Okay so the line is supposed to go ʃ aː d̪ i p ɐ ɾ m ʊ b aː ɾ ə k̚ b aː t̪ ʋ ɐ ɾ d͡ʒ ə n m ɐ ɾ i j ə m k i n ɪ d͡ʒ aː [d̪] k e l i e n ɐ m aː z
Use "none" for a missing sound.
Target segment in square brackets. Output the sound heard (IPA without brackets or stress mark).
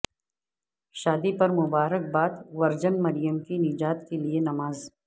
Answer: t̪